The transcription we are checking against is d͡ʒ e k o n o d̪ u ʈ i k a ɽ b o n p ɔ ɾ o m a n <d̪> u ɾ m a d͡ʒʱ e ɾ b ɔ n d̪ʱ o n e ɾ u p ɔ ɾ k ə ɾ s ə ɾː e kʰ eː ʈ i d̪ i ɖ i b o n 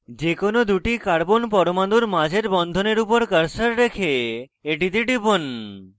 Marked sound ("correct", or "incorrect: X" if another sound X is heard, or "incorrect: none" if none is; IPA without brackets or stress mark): correct